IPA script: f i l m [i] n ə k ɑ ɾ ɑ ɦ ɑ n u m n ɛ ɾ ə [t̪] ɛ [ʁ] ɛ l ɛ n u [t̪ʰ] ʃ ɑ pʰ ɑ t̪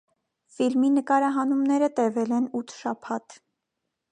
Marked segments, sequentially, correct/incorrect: correct, correct, incorrect, correct

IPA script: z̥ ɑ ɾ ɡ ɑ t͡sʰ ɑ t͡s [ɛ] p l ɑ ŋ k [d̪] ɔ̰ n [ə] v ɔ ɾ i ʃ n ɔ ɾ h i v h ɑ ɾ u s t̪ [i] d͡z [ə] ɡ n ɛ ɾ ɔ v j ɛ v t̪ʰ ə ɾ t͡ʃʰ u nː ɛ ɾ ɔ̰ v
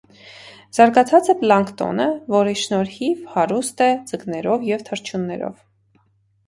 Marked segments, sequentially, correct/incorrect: correct, incorrect, correct, incorrect, correct

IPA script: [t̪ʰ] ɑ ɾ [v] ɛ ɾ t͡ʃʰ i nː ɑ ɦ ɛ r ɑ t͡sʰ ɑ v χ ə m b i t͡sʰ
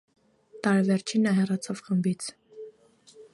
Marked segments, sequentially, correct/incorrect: incorrect, correct

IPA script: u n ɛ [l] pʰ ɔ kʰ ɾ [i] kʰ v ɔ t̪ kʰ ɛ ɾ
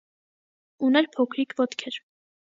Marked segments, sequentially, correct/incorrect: incorrect, correct

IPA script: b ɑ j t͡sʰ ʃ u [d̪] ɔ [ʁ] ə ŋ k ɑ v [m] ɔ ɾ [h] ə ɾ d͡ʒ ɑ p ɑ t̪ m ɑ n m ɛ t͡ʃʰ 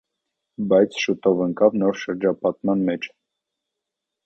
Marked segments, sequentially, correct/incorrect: incorrect, incorrect, incorrect, incorrect

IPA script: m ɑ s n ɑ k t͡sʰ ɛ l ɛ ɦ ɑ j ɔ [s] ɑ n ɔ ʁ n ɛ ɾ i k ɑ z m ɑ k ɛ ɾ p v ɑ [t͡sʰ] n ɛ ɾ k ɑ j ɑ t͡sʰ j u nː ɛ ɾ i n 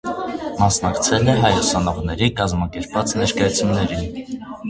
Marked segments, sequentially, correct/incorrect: correct, incorrect

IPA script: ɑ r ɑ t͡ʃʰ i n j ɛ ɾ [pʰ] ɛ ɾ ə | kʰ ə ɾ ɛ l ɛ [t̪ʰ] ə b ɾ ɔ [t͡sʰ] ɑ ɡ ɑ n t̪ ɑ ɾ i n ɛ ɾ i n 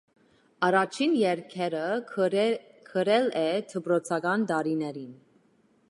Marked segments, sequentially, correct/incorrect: incorrect, correct, correct

